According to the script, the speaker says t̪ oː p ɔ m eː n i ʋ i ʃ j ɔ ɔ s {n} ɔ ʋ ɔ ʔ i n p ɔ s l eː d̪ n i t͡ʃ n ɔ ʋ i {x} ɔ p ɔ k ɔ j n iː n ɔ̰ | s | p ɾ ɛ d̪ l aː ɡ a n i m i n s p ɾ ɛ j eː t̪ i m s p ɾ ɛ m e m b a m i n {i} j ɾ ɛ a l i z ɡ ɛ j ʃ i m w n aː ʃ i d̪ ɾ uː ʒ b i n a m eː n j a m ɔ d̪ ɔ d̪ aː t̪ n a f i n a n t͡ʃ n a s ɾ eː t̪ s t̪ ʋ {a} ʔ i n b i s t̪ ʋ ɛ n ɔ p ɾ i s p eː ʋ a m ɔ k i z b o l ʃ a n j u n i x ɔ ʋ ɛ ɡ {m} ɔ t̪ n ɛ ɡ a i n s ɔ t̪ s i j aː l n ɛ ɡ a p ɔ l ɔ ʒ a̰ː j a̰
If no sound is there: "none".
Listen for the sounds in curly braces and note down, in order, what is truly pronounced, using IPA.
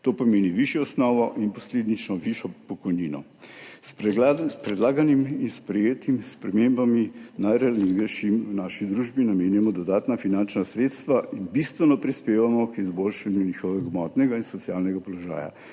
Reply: n, ʃ, a, a, m

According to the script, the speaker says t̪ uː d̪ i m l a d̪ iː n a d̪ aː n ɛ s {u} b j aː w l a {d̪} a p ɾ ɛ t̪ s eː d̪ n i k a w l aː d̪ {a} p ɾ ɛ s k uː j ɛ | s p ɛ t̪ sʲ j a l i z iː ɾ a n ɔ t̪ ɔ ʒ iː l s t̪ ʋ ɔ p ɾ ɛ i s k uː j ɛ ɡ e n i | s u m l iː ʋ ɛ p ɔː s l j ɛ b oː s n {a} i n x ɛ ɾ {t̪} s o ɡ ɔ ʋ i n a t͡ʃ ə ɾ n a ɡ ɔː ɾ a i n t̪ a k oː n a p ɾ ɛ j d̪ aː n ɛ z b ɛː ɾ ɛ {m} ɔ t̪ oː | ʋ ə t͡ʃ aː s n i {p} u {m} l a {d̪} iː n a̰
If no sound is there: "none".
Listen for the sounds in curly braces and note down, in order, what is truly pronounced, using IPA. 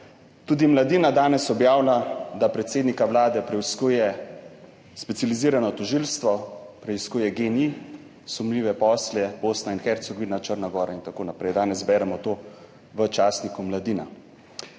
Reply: ɔ, d̪, ɛ, a, t̪, m, k, m, d̪

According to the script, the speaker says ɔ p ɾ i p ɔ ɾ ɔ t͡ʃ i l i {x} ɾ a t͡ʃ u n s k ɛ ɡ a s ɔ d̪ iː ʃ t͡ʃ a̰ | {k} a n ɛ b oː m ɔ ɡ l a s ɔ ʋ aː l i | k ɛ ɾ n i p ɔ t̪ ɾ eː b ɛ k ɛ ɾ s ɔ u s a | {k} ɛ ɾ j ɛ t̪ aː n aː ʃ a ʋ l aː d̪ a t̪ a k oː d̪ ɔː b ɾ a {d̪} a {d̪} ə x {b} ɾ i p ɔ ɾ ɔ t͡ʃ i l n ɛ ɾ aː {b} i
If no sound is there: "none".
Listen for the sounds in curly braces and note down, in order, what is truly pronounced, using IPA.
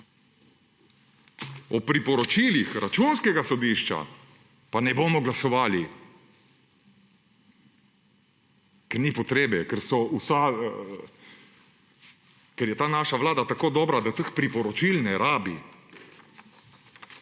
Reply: x, p, k, d̪, t̪, p, b

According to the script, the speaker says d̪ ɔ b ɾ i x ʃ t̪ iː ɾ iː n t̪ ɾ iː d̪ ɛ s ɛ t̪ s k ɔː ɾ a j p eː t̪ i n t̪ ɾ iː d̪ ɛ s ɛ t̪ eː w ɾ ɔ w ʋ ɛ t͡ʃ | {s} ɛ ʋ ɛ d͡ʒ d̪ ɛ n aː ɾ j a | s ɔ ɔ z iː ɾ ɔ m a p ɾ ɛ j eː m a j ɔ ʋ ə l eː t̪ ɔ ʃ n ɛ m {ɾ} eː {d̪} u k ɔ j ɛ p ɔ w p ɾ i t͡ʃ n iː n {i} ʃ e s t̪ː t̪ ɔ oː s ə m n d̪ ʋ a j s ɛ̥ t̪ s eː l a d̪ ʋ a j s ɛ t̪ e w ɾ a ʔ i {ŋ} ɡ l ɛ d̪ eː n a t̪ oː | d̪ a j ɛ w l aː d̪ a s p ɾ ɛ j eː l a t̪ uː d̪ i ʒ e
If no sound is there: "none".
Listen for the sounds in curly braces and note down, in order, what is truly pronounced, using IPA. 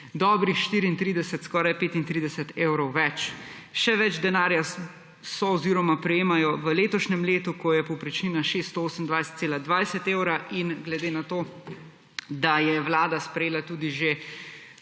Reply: ʃ, l, t̪, a, n

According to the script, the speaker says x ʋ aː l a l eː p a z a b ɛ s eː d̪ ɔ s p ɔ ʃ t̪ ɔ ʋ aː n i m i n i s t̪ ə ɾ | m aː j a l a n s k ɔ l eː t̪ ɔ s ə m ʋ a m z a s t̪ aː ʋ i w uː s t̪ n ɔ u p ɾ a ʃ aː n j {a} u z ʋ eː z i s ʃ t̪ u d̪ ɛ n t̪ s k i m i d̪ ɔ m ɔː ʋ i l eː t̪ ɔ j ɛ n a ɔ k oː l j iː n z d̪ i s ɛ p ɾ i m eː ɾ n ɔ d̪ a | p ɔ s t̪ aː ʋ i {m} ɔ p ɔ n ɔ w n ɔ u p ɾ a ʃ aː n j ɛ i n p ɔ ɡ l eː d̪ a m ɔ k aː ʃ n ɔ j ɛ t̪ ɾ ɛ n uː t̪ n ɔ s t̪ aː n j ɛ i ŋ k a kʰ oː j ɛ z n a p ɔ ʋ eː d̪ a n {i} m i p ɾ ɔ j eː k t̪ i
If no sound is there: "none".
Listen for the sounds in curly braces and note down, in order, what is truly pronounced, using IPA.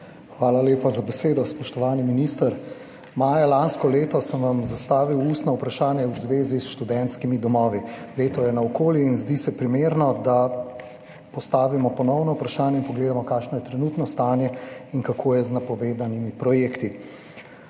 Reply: ɛ, m, i

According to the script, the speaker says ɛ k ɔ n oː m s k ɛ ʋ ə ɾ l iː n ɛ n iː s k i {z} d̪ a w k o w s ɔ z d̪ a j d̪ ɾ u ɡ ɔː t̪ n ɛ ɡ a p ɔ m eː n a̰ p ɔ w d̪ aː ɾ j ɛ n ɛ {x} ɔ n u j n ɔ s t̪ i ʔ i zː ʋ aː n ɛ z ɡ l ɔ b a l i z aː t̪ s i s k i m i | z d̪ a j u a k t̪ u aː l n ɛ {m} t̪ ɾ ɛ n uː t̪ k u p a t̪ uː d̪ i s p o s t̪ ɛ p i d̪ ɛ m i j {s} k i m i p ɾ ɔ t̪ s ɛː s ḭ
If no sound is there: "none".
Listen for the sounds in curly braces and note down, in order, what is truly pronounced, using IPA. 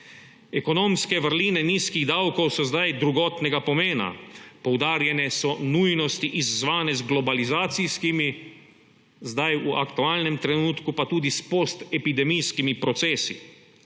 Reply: ɣ, s, m, s

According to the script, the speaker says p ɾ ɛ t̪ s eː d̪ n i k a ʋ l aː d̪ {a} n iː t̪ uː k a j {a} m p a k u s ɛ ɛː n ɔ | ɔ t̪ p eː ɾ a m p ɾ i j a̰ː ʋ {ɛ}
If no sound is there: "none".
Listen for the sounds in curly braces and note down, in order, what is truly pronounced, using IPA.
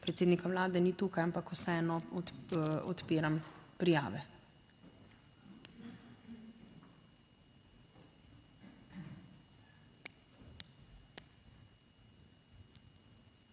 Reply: ɛ, a, ɛ

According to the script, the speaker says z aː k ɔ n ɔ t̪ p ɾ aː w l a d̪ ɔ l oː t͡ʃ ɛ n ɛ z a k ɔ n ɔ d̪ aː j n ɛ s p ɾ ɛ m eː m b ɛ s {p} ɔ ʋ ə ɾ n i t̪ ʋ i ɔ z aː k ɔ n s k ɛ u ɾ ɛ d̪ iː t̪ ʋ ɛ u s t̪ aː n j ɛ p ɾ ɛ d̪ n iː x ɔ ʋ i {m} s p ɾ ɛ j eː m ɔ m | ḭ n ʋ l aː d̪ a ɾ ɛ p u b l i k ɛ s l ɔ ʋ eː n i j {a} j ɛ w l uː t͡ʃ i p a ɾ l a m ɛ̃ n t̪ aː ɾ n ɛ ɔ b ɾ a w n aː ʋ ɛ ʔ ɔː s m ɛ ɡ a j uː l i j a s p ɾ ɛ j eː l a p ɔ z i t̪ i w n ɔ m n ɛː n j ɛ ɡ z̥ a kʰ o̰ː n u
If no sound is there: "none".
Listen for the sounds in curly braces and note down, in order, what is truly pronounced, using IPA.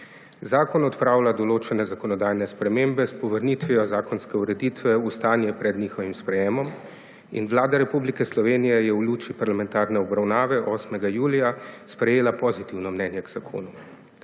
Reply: p, m, ɛ

